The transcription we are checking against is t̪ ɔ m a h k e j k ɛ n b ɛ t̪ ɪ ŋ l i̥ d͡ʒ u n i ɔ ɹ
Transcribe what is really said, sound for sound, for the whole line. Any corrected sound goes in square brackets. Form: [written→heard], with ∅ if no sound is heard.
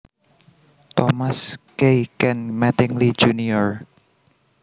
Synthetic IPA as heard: t̪ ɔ m a [h→s] k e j k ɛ n [b→m] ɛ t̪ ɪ ŋ l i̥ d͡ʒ u n i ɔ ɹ